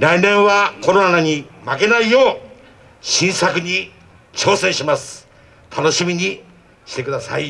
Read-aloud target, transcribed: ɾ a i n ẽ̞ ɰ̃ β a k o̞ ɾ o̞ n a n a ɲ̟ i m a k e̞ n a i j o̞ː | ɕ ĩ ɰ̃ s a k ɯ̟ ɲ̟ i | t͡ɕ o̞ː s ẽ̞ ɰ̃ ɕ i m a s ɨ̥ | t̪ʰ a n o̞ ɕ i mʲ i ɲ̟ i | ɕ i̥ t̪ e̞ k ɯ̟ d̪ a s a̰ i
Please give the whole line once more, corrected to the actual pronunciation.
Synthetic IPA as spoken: ɾ a i n ẽ̞ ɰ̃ β a k o̞ ɾ o̞ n a n a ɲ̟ i m a k e̞ n a i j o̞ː | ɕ ĩ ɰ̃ s a k ɯ̟ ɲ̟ i | t͡ɕ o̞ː s ẽ̞ ɰ̃ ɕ i m a s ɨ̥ | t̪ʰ a n o̞ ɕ i mʲ i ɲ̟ i | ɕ i̥ t̪ e̞ k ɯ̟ d̪ a s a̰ i